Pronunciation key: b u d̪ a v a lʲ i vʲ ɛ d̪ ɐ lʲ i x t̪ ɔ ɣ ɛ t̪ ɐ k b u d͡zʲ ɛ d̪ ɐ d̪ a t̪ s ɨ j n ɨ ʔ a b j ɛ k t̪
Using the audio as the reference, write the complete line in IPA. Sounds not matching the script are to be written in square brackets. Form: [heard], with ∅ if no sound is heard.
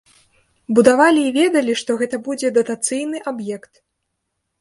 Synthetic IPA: b u d̪ a v a lʲ [iː] vʲ ɛ d̪ ɐ lʲ i [ʂ] t̪ ɔ ɣ ɛ t̪ ɐ [∅] b u d͡zʲ ɛ d̪ ɐ [t̪] a t̪ s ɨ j n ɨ ʔ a b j ɛ k t̪